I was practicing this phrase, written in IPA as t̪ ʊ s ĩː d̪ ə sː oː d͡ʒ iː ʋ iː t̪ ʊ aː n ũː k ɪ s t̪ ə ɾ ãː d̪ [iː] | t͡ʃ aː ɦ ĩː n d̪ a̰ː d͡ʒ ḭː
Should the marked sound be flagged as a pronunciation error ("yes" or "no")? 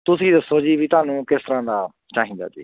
yes